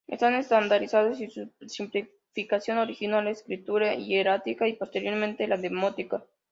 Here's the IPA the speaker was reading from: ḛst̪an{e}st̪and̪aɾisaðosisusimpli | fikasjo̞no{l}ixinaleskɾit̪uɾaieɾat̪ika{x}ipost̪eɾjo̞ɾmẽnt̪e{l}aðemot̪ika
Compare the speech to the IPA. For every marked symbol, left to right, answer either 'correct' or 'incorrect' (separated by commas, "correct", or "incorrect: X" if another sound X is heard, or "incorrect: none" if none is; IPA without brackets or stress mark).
correct, incorrect: ɾ, incorrect: none, correct